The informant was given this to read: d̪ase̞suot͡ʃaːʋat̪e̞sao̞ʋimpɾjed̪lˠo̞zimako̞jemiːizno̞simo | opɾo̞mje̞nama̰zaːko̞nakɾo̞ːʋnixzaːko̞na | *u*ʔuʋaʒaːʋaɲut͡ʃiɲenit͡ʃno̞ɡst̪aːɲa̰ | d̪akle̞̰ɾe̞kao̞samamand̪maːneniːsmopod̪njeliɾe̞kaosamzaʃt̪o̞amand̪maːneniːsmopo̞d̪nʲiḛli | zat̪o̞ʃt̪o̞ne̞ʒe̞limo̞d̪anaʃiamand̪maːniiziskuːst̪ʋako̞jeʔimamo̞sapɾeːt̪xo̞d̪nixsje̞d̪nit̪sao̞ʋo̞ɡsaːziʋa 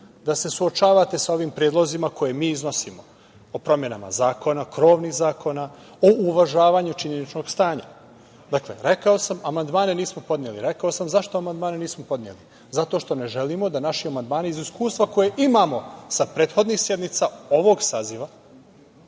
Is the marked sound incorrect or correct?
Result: incorrect